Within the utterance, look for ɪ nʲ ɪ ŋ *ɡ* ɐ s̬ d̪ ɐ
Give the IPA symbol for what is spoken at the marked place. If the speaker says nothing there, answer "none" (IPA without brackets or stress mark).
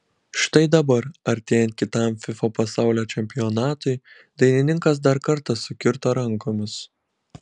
k